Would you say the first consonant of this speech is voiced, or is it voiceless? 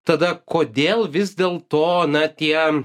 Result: voiceless